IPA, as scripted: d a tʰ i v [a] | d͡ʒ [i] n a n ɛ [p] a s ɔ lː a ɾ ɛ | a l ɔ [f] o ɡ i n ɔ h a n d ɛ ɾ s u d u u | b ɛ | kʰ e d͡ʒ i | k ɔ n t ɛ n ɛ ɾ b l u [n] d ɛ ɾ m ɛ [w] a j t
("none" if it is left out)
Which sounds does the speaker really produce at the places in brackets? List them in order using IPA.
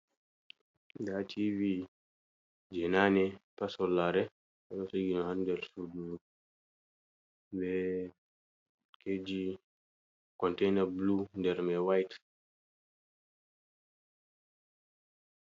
i, ɛ, p, s, n, w

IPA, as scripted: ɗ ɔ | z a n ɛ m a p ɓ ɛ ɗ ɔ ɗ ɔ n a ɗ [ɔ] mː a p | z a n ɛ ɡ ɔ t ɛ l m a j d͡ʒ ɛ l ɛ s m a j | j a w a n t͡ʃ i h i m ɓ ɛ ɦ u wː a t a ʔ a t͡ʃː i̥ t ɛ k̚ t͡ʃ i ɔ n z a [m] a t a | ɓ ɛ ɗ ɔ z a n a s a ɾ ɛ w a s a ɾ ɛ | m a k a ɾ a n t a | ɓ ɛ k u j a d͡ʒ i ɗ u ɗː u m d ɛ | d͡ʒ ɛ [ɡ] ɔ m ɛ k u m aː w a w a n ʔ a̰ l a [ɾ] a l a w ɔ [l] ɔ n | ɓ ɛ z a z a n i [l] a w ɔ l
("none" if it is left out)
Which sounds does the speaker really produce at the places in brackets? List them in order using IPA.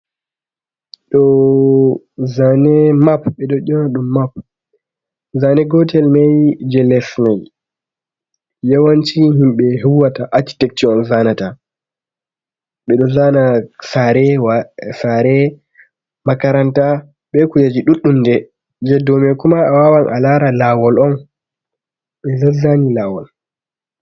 u, n, d, ɾ, l, l

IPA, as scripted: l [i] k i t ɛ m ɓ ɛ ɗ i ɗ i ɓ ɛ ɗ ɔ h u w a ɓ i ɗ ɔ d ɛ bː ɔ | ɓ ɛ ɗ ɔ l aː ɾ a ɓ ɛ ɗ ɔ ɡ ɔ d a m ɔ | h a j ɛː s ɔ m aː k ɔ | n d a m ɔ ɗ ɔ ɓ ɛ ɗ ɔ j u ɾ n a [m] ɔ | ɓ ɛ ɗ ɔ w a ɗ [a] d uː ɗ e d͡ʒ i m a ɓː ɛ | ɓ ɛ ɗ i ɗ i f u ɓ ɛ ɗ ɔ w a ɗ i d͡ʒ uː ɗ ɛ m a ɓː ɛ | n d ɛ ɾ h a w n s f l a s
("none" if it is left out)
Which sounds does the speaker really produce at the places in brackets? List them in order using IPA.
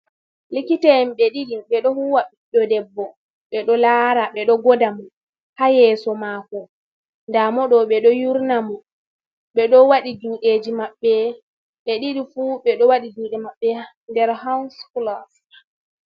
i, m, i

